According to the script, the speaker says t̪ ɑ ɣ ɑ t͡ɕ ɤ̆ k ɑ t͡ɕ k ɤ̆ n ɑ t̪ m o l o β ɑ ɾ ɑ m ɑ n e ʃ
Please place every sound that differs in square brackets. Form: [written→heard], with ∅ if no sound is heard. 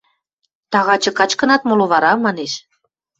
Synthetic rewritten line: t̪ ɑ ɣ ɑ t͡ɕ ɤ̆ k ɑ t͡ɕ k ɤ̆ n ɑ t̪ m o l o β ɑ ɾ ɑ m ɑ n e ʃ